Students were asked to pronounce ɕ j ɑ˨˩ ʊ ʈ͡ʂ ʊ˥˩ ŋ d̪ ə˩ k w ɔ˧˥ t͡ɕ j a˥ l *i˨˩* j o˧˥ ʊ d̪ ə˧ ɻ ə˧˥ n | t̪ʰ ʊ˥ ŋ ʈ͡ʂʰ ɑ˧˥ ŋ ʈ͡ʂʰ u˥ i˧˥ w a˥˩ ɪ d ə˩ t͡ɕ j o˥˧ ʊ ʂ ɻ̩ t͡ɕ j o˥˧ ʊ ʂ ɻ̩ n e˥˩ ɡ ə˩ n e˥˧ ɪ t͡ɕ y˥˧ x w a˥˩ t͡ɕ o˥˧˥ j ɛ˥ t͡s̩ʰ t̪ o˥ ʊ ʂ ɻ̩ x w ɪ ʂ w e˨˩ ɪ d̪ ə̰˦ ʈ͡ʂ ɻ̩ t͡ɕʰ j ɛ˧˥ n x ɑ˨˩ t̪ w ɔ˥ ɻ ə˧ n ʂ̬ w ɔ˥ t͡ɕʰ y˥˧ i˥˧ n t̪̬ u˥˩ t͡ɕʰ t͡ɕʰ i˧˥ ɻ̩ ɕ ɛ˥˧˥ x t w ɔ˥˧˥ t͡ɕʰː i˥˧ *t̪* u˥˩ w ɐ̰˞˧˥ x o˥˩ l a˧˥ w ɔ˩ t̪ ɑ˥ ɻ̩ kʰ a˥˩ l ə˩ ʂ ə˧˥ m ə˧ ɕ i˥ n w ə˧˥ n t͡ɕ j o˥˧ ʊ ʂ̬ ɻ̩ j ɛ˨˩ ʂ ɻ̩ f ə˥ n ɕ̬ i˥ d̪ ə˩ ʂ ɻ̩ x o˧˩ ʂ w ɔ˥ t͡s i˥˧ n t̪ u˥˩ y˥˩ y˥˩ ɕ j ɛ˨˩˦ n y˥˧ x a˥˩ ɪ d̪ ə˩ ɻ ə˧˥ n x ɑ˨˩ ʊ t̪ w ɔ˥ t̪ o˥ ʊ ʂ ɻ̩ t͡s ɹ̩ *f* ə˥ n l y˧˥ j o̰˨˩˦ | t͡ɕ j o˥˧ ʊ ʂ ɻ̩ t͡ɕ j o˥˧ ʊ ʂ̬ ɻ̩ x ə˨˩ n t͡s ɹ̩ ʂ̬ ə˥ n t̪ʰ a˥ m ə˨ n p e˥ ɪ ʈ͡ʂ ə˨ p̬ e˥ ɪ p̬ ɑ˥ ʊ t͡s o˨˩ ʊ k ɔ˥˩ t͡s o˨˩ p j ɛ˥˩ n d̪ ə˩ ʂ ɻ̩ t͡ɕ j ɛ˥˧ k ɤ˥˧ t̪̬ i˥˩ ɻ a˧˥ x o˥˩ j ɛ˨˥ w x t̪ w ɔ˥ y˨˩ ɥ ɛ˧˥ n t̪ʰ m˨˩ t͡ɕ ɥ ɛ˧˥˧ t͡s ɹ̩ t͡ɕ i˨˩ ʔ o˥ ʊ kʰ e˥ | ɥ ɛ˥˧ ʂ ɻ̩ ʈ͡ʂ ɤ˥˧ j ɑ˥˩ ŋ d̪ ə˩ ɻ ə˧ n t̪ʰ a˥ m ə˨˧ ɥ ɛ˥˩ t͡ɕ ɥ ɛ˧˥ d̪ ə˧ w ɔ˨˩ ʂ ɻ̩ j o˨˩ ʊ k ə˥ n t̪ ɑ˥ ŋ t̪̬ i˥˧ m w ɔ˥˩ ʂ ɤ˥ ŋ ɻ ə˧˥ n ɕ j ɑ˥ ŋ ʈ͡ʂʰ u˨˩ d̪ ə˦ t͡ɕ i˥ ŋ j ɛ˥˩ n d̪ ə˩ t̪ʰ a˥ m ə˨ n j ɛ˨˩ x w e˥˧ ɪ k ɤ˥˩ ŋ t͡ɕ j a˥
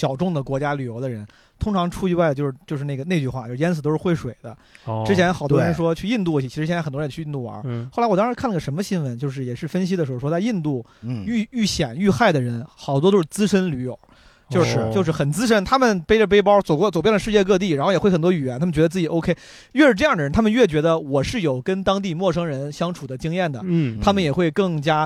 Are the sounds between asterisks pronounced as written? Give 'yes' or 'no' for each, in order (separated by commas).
no, yes, no